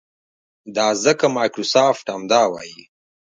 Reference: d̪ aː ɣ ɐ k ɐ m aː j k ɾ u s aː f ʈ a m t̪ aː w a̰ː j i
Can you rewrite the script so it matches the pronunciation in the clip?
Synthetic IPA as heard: d̪ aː z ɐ k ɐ m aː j k ɾ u s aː f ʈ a m d̪ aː w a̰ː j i